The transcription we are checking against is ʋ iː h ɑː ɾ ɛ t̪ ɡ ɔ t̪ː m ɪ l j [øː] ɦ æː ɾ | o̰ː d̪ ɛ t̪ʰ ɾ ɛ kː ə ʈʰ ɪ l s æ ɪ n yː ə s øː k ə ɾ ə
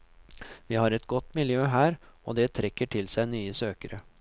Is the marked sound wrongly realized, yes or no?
no